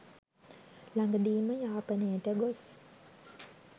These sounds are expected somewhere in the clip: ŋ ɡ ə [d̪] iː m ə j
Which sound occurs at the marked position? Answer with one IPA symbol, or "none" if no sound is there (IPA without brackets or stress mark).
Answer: d̪